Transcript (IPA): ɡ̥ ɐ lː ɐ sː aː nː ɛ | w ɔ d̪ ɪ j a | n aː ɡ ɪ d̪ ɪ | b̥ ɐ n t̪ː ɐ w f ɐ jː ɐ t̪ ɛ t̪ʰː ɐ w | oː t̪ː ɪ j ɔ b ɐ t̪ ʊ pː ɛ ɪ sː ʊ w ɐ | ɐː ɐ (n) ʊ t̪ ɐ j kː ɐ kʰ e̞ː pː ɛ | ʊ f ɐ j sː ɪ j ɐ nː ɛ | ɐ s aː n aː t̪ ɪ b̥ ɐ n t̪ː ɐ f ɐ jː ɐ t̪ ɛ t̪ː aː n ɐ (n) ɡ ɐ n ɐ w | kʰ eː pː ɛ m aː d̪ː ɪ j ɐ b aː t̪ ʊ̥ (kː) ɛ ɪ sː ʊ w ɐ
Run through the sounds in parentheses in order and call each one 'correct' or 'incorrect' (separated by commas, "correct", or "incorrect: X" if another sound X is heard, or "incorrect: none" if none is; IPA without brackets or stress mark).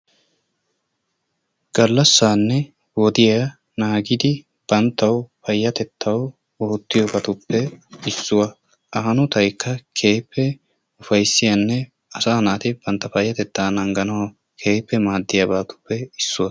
correct, incorrect: ŋ, incorrect: pː